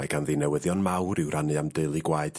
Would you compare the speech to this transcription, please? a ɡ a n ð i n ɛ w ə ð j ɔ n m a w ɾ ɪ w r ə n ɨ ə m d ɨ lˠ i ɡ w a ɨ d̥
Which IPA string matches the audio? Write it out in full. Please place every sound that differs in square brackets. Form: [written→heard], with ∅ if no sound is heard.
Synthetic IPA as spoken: a ɡ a n ð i n ɛ w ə ð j ɔ n m a w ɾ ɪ w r [ə→a] n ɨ [ə→a] m d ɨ lˠ i ɡ w a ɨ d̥